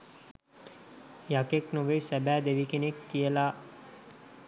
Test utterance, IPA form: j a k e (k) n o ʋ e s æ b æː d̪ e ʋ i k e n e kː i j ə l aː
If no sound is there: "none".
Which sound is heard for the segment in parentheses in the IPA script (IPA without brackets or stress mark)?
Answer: k